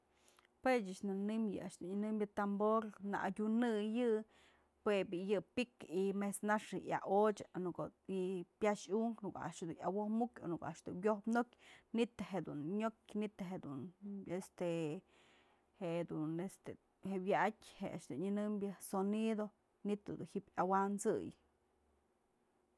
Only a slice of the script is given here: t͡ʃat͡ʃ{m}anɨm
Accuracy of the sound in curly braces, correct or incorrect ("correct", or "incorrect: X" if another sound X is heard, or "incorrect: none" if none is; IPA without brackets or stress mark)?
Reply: incorrect: n